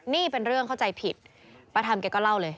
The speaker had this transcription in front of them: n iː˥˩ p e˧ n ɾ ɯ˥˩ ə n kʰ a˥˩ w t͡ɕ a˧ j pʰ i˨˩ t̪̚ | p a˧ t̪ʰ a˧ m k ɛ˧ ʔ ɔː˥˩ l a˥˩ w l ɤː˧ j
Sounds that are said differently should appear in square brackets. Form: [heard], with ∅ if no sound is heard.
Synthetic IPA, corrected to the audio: n iː˥˩ p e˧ n ɾ ɯ˥˩ ə [ŋ] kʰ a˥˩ w t͡ɕ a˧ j pʰ i˨˩ t̪̚ | p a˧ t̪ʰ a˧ m k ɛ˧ [k] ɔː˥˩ l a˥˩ w l ɤː˧ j